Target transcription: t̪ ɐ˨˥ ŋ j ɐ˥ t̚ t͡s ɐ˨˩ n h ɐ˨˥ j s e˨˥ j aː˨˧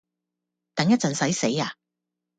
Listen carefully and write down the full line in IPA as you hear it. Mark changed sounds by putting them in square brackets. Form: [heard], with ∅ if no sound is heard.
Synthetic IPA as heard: t̪ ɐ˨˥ ŋ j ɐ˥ t̚ t͡s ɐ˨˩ n [s] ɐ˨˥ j s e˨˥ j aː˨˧